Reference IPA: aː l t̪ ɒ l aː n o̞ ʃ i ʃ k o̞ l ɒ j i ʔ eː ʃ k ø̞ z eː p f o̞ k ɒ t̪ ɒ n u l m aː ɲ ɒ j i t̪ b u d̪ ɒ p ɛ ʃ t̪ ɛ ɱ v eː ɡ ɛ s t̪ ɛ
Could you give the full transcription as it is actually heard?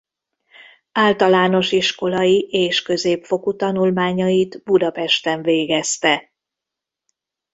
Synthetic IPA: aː l t̪ ɒ l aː n o̞ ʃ i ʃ k o̞ l ɒ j i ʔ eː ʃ k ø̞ z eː p f o̞ k u t̪ ɒ n u l m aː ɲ ɒ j i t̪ b u d̪ ɒ p ɛ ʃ t̪ ɛ ɱ v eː ɡ ɛ s t̪ ɛ